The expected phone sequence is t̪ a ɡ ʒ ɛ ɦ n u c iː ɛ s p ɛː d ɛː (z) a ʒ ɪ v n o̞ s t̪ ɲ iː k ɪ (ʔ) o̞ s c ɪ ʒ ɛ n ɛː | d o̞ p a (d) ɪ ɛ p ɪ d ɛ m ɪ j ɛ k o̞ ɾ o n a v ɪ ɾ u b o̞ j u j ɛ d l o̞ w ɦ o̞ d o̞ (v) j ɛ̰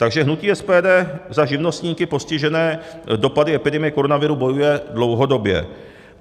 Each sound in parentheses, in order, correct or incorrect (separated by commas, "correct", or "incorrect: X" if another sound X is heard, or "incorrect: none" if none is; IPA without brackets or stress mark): correct, incorrect: p, correct, incorrect: b